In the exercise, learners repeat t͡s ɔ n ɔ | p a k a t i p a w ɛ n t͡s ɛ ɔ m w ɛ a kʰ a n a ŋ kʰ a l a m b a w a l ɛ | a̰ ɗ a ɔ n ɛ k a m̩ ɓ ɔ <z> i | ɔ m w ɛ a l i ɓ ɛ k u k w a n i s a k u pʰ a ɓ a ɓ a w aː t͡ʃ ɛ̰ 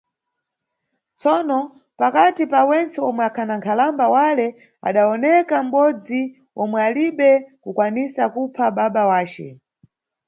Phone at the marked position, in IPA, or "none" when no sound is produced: d͡z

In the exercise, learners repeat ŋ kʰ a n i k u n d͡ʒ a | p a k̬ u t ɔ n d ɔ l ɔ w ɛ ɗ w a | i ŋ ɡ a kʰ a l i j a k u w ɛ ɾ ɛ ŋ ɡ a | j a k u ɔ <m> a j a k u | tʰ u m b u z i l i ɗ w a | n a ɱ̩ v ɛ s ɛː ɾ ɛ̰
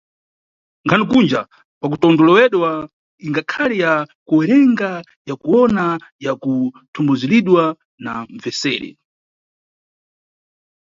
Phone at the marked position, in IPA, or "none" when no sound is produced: n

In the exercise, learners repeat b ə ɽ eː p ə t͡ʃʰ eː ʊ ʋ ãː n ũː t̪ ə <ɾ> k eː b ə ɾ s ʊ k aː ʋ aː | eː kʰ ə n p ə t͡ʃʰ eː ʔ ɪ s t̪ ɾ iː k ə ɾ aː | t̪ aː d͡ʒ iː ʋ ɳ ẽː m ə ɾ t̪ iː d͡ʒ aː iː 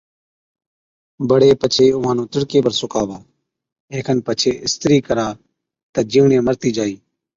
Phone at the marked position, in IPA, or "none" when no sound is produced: ɽ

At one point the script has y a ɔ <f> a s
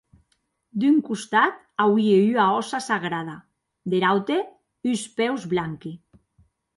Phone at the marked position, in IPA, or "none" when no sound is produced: s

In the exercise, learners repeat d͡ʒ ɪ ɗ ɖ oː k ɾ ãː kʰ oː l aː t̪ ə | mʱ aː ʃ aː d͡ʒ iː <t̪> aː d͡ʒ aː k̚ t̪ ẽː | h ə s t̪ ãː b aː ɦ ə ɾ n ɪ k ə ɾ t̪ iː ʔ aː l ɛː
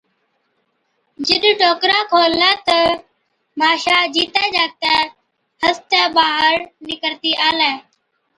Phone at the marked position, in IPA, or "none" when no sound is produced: t̪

